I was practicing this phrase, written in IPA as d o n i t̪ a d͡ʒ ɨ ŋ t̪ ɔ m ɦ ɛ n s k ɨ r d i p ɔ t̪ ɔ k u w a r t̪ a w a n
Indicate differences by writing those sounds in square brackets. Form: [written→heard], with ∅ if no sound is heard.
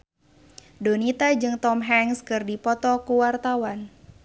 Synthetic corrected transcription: d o n i t̪ a d͡ʒ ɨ ŋ t̪ ɔ m ɦ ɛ [n→ŋ] s k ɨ r d i p ɔ t̪ ɔ k u w a r t̪ a w a n

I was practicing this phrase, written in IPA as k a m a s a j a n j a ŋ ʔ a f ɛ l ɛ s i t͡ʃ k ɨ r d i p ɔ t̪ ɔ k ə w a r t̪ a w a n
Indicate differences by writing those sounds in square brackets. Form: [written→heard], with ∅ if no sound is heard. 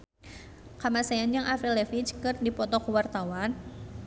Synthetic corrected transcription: k a m a s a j a n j a ŋ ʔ a f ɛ l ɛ [s→f] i t͡ʃ k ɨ r d i p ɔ t̪ ɔ k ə w a r t̪ a w a n

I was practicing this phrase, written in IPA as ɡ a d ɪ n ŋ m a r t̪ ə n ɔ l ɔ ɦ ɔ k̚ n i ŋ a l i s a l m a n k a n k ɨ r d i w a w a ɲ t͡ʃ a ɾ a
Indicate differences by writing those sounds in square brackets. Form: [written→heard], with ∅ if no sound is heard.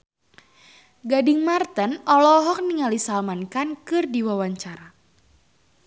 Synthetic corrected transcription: ɡ a d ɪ [n→∅] ŋ m a r t̪ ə n ɔ l ɔ ɦ ɔ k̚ n i ŋ a l i s a l m a n k a n k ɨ r d i w a w a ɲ t͡ʃ a ɾ a

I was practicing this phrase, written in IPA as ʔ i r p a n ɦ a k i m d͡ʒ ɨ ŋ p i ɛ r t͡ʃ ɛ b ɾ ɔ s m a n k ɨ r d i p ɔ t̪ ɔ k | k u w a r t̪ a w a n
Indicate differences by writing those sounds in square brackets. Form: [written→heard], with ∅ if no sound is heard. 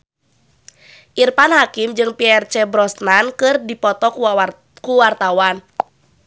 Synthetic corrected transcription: ʔ i r p a n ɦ a k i m d͡ʒ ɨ ŋ p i ɛ r t͡ʃ ɛ b ɾ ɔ s [m→n] a n k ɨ r d i p ɔ t̪ ɔ k | k u w a r t̪ a w a n

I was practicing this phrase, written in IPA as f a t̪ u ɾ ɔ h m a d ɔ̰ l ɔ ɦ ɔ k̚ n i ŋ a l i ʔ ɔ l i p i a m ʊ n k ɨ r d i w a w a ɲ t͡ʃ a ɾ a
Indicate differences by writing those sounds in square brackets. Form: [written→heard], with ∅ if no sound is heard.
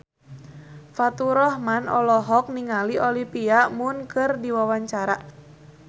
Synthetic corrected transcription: f a t̪ u ɾ ɔ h m a [d→n] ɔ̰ l ɔ ɦ ɔ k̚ n i ŋ a l i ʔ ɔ l i p i a m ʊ n k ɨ r d i w a w a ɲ t͡ʃ a ɾ a

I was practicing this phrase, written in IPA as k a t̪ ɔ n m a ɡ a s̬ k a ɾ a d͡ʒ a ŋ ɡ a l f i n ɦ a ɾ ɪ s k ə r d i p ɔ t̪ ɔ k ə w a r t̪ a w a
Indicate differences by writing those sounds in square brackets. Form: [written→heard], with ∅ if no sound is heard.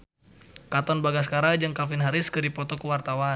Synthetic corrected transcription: k a t̪ ɔ n [m→b] a ɡ a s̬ k a ɾ a d͡ʒ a ŋ [ɡ→k] a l f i n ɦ a ɾ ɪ s k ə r d i p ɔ t̪ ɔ k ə w a r t̪ a w a

